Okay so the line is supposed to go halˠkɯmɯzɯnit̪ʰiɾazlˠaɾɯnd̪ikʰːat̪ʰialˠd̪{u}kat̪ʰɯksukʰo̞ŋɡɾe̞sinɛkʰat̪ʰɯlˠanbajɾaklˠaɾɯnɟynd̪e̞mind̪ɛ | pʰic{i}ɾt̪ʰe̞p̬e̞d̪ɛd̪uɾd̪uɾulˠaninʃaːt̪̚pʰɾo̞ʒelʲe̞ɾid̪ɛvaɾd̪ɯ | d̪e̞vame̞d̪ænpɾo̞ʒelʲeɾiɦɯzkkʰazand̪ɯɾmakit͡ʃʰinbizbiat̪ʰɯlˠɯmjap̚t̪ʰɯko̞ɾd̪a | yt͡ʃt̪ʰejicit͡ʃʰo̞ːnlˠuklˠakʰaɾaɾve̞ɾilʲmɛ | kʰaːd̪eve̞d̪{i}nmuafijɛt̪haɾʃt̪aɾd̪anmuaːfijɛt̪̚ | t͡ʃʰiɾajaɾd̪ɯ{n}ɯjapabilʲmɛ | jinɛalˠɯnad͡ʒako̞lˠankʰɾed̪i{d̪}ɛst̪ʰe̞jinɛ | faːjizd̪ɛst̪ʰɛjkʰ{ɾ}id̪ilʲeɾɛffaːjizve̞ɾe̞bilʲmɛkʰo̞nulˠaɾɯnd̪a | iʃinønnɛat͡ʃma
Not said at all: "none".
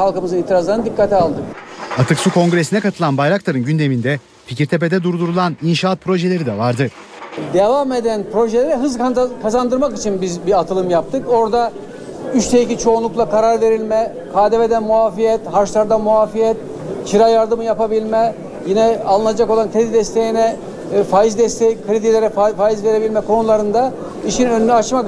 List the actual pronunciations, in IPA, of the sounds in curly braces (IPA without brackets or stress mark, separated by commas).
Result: ɯ, i, æ, m, d̪, ɾ